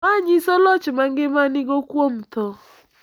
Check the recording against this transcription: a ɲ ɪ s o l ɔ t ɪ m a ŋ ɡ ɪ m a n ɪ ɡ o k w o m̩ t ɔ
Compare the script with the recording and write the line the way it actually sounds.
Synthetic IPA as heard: a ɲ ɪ s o l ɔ t͡ʃ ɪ m a ŋ ɡ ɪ m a n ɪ ɡ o k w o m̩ t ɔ